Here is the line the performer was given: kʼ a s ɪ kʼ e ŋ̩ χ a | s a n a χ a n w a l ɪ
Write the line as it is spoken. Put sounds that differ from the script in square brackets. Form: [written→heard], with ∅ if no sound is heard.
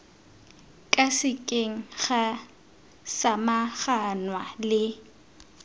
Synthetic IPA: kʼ a s ɪ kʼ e ŋ̩ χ a | s a [n→m] a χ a n w a l ɪ

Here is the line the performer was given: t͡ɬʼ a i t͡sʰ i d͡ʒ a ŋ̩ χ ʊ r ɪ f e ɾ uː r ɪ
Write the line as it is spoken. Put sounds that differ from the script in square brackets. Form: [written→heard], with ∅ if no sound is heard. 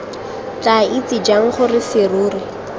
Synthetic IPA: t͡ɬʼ a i [t͡sʰ→t͡s] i d͡ʒ a ŋ̩ χ ʊ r ɪ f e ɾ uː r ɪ

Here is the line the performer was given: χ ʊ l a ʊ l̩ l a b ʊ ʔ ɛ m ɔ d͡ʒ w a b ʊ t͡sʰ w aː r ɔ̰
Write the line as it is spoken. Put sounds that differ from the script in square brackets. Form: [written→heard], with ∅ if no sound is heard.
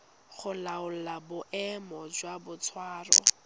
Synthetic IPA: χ ʊ l a ʊ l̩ l a b ʊ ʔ ɛ m ɔ d͡ʒ w a b ʊ t͡sʰ w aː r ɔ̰

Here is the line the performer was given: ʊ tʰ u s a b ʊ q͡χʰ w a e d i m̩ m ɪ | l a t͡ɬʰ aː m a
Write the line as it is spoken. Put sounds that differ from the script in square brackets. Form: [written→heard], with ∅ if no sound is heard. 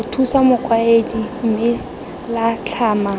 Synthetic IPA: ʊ tʰ u s a [b→m] ʊ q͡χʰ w a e d i m̩ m ɪ | l a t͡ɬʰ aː m a

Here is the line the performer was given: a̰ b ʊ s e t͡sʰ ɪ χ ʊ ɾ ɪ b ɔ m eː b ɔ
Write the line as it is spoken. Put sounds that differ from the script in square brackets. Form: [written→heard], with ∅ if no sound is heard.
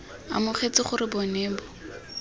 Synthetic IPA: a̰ [b→m] ʊ [s→χ] e [t͡sʰ→t͡s] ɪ χ ʊ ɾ ɪ b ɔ [m→n] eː b ɔ

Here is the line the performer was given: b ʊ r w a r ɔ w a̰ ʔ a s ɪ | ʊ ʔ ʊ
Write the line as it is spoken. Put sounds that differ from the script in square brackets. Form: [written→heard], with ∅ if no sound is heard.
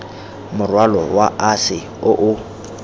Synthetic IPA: [b→m] ʊ r w a [r→l] ɔ w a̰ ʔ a s ɪ | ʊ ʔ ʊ

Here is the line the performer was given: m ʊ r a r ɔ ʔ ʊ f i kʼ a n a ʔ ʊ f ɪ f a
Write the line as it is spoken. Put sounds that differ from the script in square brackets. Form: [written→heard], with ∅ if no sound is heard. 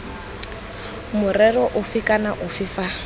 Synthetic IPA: m ʊ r [a→ɛ] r ɔ ʔ ʊ f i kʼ a n a ʔ ʊ f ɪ f a

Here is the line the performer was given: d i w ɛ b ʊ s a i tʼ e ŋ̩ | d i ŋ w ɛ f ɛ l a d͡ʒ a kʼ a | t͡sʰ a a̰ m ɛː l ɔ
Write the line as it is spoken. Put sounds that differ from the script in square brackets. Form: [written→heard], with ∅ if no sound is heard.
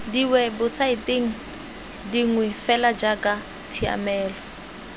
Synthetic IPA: d i w ɛ b ʊ s a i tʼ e ŋ̩ | d i ŋ w ɛ f ɛ l a d͡ʒ a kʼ a | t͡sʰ [a→i] a̰ m ɛː l ɔ

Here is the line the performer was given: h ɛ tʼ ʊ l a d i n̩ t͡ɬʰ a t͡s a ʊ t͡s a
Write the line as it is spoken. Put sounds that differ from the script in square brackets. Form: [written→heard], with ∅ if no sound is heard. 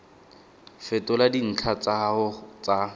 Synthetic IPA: [h→f] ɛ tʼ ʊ l a d i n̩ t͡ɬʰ a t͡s a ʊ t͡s a

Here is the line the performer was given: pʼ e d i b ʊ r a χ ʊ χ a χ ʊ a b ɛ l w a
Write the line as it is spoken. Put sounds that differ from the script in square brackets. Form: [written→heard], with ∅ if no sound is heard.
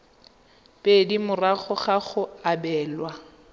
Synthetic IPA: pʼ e d i [b→m] ʊ r a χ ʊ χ a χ ʊ a b [ɛ→ɛː] l w a

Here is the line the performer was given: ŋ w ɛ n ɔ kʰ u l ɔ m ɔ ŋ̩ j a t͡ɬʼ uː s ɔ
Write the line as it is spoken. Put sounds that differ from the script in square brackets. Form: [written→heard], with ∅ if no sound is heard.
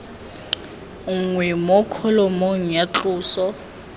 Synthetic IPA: ŋ w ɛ [n→m] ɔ kʰ [u→ɔ] l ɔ m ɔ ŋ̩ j a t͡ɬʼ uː s ɔ

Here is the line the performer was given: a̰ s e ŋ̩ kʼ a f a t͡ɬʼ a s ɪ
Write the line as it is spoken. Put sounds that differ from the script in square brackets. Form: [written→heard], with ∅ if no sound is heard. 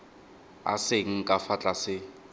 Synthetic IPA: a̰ s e ŋ̩ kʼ a f a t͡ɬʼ a s ɪ

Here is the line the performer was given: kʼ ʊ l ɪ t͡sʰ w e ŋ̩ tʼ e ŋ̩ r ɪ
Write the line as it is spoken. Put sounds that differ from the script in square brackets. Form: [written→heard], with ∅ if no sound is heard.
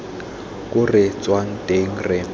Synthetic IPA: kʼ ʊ [l→r] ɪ [t͡sʰ→t͡s] w [e→a] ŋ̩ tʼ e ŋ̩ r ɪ

